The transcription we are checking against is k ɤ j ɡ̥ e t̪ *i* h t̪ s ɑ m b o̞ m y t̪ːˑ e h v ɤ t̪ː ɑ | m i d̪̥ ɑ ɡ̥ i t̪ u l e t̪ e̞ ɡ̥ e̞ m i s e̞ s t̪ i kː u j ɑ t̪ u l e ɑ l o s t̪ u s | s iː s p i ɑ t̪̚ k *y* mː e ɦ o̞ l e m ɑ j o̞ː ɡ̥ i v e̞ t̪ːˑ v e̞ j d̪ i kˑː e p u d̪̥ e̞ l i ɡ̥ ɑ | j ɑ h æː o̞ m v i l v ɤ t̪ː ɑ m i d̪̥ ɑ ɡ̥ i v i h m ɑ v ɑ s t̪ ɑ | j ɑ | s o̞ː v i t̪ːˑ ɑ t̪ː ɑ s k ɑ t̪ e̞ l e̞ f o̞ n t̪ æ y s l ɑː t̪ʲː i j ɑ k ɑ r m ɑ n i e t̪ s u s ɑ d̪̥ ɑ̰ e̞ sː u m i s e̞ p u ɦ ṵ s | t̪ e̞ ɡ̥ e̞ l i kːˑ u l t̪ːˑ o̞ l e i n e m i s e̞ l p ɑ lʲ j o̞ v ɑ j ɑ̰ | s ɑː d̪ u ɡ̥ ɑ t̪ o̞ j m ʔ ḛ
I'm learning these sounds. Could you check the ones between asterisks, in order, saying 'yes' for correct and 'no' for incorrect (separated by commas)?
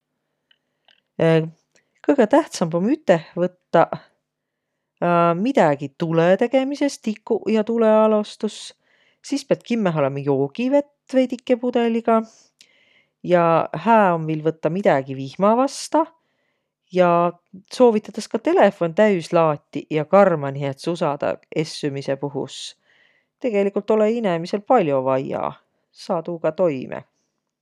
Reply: no, no